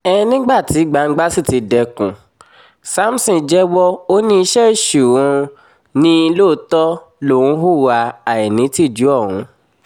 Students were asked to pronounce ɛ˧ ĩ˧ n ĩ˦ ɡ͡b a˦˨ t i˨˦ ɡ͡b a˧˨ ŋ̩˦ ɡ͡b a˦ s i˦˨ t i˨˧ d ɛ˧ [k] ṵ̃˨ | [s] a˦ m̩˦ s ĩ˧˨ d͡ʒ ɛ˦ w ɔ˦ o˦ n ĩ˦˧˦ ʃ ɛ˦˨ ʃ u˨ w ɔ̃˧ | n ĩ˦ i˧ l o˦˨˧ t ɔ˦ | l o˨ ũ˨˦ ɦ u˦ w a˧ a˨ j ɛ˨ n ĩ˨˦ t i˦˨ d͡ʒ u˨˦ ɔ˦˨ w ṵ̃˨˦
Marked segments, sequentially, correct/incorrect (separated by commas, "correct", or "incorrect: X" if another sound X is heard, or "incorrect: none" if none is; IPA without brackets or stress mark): correct, correct